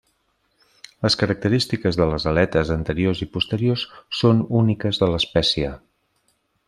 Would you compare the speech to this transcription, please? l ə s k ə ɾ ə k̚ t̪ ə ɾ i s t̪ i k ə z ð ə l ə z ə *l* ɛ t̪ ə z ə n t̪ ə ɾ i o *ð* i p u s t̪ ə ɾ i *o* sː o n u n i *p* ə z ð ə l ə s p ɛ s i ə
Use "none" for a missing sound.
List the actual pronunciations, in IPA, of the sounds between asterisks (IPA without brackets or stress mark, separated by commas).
l, z, o, k